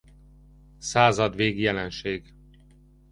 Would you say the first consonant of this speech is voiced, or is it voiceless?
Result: voiceless